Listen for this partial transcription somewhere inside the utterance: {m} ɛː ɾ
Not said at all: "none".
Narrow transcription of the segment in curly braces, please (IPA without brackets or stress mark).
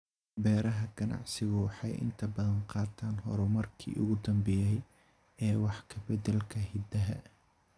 b